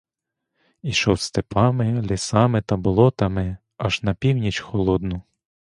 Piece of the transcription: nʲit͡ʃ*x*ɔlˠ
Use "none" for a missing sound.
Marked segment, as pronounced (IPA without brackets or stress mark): x